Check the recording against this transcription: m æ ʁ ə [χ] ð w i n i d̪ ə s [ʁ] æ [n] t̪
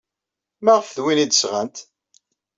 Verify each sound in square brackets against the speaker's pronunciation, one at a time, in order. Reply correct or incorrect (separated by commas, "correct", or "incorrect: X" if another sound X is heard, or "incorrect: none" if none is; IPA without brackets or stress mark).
incorrect: f, correct, correct